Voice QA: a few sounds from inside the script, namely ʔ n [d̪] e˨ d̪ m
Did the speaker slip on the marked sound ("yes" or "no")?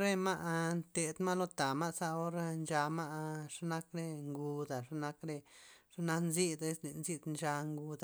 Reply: yes